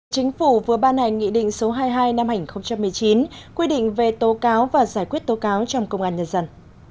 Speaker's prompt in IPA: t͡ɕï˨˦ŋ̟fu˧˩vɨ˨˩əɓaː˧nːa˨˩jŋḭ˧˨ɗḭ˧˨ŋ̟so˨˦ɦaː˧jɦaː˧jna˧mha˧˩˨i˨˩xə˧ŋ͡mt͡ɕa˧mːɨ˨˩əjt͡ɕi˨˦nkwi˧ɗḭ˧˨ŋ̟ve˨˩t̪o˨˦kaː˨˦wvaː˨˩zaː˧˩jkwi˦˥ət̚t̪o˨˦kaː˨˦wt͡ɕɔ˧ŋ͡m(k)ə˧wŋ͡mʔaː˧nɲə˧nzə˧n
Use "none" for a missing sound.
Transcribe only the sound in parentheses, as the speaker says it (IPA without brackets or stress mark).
k